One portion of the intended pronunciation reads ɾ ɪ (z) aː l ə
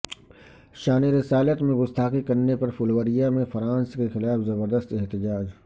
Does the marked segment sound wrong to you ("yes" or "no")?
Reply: yes